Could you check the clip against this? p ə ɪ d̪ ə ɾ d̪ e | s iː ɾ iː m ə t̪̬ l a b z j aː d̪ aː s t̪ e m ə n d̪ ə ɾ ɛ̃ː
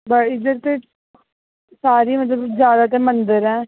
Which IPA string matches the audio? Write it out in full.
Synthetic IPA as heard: b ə ɪ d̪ ə ɾ t̪ e | s aː ɾ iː m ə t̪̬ l ə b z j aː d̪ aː t̪ e m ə n d̪ ə ɾ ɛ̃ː